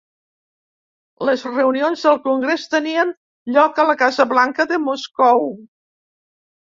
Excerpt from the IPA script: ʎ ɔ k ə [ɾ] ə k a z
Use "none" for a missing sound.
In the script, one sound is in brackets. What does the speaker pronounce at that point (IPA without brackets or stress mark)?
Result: l